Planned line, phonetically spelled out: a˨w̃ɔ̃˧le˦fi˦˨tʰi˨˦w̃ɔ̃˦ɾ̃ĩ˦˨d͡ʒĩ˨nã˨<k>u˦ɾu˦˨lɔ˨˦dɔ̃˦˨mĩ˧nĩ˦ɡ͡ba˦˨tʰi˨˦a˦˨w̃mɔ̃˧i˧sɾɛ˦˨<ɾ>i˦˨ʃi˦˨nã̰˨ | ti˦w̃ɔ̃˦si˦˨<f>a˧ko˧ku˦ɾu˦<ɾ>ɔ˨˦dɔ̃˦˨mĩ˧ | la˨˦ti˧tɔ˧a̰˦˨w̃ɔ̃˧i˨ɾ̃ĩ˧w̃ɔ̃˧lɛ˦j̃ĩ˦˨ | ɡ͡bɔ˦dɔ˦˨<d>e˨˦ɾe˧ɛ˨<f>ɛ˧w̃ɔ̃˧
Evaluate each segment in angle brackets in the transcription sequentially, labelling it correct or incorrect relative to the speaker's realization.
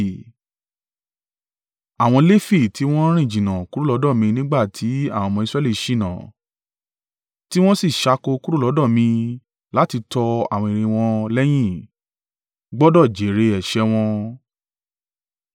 correct, incorrect: l, incorrect: ʃ, incorrect: l, incorrect: d͡ʒ, incorrect: ʃ

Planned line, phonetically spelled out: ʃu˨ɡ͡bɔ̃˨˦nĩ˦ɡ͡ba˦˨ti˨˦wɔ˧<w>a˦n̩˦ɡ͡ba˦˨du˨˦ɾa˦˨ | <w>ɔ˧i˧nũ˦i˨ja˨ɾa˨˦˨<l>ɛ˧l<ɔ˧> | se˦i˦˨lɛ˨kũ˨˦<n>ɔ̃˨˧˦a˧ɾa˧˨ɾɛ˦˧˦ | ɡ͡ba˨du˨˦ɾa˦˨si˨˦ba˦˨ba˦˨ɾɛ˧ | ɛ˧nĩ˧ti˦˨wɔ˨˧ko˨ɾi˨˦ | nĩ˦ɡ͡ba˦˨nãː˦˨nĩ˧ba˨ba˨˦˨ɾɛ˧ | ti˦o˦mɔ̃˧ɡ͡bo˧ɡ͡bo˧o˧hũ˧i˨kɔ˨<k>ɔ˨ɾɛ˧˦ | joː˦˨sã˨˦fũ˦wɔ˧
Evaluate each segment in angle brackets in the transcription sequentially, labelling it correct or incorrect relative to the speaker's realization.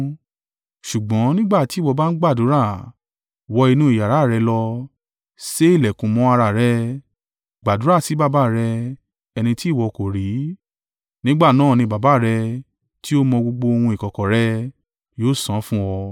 incorrect: b, correct, incorrect: ɾ, correct, incorrect: m, correct

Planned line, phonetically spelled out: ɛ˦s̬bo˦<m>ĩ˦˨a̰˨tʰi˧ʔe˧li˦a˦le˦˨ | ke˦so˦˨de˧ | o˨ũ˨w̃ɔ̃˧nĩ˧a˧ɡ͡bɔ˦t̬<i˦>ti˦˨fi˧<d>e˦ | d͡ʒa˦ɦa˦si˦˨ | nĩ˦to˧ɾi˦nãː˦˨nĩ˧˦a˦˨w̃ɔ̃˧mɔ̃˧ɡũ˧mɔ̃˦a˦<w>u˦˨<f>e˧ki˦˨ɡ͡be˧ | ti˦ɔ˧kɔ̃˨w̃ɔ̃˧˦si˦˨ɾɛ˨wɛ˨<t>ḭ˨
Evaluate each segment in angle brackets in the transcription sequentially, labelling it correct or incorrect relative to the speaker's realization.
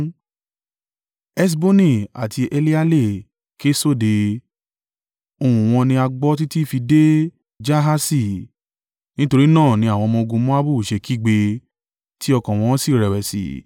incorrect: n, correct, correct, incorrect: b, incorrect: ʃ, incorrect: s

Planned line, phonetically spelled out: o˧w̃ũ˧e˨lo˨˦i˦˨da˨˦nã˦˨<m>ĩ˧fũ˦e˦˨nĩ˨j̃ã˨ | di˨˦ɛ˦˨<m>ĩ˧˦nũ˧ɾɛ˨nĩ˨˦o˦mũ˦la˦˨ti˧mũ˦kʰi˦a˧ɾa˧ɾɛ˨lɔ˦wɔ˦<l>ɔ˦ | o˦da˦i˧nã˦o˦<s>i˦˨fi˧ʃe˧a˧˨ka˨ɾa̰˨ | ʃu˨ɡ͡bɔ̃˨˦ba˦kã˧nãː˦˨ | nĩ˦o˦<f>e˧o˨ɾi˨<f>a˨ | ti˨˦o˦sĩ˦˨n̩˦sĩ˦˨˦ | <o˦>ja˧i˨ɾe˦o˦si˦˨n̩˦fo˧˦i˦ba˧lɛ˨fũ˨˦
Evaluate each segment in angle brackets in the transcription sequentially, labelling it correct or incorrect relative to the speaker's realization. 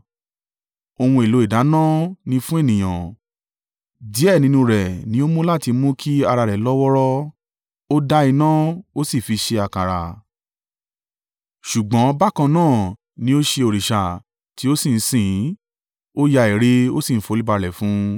incorrect: n, incorrect: n, incorrect: ɾ, correct, incorrect: ʃ, incorrect: ʃ, correct

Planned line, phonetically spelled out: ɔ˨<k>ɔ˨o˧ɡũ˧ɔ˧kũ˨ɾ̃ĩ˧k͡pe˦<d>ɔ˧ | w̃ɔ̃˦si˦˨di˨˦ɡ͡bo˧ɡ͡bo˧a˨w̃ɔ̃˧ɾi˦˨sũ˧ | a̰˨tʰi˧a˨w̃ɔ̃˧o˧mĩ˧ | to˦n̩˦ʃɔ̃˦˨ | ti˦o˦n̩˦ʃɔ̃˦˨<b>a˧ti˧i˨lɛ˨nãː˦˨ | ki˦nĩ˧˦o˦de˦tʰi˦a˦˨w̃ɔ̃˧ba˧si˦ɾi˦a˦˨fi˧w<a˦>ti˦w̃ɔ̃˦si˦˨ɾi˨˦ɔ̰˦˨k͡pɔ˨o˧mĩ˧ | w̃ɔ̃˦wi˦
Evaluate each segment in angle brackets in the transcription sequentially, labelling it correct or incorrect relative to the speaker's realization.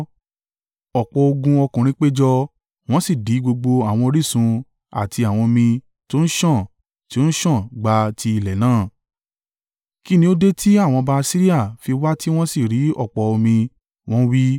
incorrect: k͡p, incorrect: d͡ʒ, incorrect: ɡ͡b, correct

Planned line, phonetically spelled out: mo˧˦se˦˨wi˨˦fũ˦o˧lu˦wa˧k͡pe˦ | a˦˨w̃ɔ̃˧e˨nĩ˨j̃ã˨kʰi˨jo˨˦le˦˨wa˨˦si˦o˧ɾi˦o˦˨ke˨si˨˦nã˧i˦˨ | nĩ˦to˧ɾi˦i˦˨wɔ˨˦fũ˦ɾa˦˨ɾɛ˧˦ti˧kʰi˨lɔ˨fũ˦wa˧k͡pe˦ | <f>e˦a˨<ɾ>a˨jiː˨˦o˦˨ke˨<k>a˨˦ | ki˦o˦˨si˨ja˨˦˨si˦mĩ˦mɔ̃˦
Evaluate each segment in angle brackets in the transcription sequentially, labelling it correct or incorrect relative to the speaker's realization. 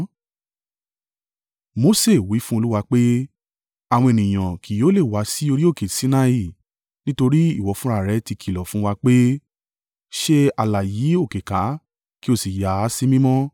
incorrect: ʃ, incorrect: l, correct

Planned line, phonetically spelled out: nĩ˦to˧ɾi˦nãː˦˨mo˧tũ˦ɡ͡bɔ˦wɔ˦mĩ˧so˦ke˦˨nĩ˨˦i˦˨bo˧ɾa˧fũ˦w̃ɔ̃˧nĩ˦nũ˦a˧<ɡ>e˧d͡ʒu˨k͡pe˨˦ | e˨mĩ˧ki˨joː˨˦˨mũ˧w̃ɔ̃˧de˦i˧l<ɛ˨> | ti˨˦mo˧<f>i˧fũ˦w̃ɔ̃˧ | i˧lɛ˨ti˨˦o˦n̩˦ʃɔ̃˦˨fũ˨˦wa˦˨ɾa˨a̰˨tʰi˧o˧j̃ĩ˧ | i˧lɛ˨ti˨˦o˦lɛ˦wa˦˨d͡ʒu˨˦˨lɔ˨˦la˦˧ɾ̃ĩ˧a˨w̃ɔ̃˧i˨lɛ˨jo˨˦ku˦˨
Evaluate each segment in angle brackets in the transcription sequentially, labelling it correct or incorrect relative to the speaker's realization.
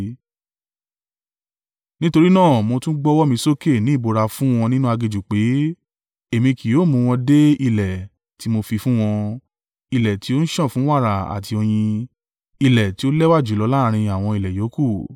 correct, correct, correct

